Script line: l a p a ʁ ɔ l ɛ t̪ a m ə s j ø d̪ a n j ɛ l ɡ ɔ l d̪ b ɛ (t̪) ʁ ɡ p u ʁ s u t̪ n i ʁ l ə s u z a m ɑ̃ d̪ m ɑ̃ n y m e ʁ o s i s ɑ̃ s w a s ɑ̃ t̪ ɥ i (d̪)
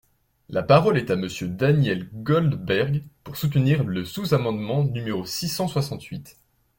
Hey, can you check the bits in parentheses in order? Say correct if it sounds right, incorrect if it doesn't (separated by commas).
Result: incorrect, incorrect